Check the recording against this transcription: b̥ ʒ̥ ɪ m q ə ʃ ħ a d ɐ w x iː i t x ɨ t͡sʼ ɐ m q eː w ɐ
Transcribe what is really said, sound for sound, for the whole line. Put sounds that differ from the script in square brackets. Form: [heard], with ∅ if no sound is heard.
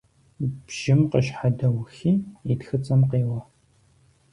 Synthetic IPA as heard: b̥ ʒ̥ ɪ m q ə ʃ ħ a d ɐ w x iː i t x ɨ t͡sʼ ɐ m q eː w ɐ